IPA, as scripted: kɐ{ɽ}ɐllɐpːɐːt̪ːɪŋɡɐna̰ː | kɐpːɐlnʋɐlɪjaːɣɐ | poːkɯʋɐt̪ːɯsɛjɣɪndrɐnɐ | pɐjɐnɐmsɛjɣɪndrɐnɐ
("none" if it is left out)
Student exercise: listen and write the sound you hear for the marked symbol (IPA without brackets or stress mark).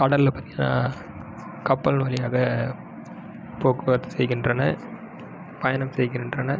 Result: ɽ